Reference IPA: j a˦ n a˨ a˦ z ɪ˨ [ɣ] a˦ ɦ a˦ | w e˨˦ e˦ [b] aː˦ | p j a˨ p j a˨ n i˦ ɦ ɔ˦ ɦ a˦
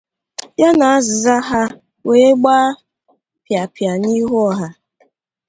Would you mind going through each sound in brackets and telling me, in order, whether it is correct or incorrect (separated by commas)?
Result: incorrect, incorrect